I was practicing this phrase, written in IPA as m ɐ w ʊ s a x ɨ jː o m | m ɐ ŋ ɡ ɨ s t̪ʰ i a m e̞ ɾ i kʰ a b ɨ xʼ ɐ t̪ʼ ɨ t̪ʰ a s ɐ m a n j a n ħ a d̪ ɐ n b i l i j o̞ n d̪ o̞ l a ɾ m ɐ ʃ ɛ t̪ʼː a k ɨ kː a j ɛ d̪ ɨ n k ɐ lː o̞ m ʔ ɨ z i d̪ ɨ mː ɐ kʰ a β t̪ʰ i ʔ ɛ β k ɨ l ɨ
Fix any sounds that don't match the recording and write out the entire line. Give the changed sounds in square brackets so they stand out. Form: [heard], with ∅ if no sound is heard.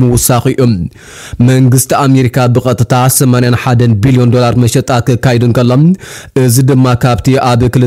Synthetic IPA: m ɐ w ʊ s a x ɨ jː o m | m ɐ ŋ ɡ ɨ s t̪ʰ i a m e̞ ɾ i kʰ a b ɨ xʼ ɐ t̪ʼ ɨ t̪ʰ a s ɐ m a n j a n ħ a d̪ ɐ n b i l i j o̞ n d̪ o̞ l a ɾ m ɐ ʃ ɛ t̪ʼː a k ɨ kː a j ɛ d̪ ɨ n k ɐ lː o̞ m ʔ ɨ z i d̪ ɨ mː [a] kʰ a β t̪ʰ i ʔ [a] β k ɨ l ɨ

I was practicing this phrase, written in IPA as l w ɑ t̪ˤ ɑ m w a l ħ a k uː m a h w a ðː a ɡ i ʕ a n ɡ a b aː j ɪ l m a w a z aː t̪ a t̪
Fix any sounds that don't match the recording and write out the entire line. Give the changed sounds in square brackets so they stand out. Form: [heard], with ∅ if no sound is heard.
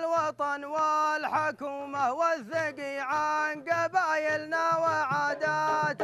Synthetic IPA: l w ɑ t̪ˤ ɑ [n] w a l ħ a k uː m a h w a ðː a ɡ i ʕ a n ɡ a b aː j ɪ l [n] a w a [ʕ] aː [d̪] a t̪

